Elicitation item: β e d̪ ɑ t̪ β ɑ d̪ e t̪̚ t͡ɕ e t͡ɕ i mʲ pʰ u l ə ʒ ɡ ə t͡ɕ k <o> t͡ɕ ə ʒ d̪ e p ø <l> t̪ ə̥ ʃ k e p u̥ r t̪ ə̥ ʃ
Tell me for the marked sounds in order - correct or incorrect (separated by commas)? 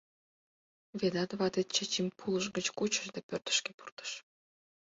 incorrect, incorrect